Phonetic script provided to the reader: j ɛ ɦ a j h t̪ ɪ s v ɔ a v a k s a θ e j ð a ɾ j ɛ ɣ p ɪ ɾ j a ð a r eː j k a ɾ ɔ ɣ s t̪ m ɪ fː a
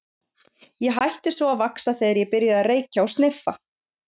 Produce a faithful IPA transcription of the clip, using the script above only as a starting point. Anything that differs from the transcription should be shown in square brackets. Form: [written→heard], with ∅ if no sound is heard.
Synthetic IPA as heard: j ɛ ɦ a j h t̪ ɪ s v ɔ a v a k s a θ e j ð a ɾ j ɛ [ɣ→∅] p ɪ ɾ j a ð a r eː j [k→c] a [ɾ→∅] ɔ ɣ s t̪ [m→n] ɪ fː a